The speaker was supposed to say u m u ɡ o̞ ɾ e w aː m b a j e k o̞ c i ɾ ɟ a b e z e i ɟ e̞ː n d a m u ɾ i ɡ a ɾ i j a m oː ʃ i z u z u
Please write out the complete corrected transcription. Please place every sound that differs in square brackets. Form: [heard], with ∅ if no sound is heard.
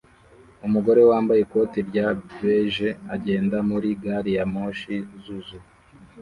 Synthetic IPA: u m u ɡ o̞ ɾ e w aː m b a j e k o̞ [t] i ɾ ɟ a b e [ʒ] e [a] ɟ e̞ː n d a m u ɾ i ɡ a ɾ i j a m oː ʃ i z u z u